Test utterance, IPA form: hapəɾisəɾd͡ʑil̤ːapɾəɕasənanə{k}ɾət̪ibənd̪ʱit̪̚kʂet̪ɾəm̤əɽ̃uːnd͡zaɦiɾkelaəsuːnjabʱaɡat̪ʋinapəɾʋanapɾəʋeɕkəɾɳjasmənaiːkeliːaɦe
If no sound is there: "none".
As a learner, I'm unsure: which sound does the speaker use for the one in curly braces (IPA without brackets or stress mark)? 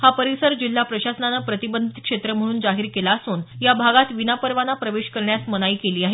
p